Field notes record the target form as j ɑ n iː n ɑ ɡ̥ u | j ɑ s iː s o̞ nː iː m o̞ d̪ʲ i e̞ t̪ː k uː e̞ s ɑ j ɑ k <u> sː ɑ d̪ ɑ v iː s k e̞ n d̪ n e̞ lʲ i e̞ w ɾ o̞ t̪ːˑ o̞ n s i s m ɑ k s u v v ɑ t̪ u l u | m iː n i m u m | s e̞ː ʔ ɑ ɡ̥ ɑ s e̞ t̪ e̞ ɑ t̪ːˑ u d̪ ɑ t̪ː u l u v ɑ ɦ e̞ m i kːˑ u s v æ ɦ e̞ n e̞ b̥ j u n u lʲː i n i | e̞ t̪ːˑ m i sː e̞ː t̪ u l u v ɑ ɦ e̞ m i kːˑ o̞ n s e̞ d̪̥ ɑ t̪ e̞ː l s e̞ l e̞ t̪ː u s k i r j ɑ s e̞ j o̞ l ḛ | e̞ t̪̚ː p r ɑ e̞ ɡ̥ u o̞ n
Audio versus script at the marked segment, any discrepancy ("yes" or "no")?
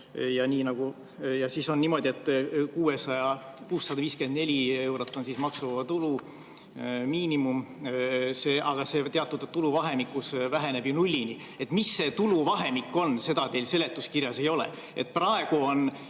yes